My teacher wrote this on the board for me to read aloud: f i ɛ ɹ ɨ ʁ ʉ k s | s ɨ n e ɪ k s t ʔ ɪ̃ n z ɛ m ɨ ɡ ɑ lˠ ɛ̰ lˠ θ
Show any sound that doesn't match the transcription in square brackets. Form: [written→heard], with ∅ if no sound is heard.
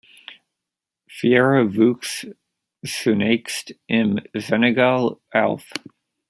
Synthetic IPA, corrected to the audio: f i ɛ ɹ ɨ [ʁ→v] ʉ k s | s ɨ n e ɪ k s t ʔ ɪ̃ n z ɛ [m→n] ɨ ɡ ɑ lˠ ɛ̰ lˠ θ